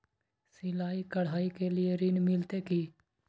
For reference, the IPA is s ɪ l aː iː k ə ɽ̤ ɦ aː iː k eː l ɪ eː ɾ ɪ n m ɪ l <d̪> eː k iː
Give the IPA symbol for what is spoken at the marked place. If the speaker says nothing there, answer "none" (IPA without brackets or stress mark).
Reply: t̪